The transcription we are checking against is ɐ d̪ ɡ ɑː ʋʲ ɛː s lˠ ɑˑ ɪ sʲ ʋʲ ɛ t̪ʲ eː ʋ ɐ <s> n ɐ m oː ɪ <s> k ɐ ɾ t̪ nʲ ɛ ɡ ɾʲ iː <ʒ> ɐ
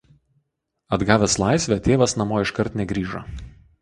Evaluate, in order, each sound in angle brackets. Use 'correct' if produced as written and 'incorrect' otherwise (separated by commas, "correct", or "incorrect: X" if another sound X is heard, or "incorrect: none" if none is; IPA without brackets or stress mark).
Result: correct, incorrect: ʃ, correct